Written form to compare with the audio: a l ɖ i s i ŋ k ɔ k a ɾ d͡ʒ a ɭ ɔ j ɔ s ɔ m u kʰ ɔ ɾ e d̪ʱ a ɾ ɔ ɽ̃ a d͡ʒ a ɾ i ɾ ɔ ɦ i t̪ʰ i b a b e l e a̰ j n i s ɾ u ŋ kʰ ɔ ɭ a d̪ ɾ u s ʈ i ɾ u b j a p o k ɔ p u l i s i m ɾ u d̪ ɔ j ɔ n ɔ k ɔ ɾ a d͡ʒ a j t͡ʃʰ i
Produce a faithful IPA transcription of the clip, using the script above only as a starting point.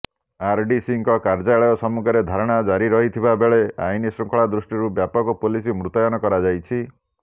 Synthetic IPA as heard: a ɾ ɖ i s i ŋ k ɔ k a ɾ d͡ʒ a ɭ ɔ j ɔ s ɔ m u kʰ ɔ ɾ e d̪ʱ a ɾ ɔ ɽ̃ a d͡ʒ a ɾ i ɾ ɔ ɦ i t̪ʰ i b a b e ɭ e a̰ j n i s ɾ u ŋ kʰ ɔ ɭ a d̪ ɾ u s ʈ i ɾ u b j a p ɔ k ɔ p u l i s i m ɾ u t̪ ɔ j ɔ n ɔ k ɔ ɾ a d͡ʒ a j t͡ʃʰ i